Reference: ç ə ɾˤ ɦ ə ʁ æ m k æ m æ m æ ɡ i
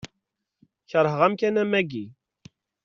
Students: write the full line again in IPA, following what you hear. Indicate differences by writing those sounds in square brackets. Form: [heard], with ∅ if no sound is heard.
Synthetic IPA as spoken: ç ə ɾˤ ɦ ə ʁ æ m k æ [n] æ m æ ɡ i

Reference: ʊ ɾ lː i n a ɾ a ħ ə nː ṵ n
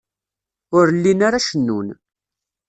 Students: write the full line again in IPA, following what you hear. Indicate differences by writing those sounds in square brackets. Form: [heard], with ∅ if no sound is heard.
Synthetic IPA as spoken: ʊ ɾ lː i n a ɾ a [ʃ] ə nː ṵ n

